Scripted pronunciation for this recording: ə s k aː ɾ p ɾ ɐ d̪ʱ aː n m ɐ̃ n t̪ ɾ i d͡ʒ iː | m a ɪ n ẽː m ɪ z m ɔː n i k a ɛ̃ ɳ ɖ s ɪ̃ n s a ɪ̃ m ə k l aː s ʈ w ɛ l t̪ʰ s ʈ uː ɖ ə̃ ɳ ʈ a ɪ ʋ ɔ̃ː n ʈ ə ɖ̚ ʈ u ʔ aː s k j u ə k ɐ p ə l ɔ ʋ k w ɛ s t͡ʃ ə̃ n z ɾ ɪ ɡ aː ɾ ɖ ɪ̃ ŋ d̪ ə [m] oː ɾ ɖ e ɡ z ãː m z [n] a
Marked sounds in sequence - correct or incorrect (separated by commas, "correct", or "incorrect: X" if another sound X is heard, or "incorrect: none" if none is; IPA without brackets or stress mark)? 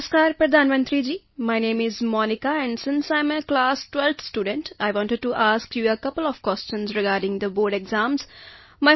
incorrect: b, incorrect: m